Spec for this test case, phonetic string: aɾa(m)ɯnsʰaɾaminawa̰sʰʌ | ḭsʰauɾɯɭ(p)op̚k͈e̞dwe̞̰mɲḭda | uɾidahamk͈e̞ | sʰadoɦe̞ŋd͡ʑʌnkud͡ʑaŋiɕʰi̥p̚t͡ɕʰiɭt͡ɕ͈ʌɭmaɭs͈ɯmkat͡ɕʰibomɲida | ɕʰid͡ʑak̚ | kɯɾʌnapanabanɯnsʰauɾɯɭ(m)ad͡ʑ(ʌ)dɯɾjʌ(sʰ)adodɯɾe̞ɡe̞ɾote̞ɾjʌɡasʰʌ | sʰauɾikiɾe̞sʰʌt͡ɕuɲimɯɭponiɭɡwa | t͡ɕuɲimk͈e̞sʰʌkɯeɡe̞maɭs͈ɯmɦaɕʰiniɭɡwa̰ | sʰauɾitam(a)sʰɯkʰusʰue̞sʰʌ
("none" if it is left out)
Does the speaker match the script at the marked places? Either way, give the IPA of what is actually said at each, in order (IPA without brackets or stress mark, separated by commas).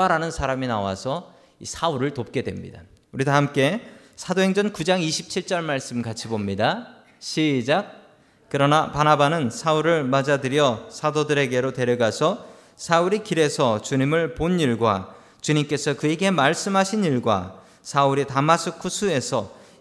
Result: n, t, m, a, sʰ, a